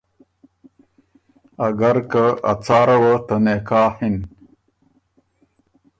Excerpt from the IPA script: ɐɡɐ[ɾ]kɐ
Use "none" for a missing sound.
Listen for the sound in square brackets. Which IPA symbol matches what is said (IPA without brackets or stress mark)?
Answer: ɾ